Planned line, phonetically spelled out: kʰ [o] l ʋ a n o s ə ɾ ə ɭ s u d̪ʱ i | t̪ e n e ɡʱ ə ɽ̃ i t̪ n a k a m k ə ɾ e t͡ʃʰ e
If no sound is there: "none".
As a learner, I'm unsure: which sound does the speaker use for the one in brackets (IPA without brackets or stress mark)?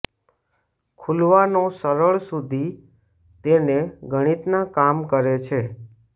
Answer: u